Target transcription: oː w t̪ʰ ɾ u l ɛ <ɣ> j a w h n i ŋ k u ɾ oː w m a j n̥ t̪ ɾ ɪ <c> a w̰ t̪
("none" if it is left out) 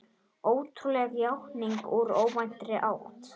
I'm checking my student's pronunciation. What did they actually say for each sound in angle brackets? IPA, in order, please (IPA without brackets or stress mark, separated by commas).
ɣ, ʔ